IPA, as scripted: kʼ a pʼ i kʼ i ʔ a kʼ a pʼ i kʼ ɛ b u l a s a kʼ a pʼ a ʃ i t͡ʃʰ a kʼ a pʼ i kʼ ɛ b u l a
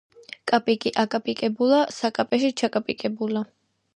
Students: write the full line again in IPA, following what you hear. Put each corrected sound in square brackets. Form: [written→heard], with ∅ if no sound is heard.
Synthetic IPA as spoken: kʼ a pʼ i kʼ i ʔ a kʼ a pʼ i kʼ ɛ b u l a s a kʼ a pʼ [a→ɛ] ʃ i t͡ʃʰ a kʼ a pʼ i kʼ ɛ b u l a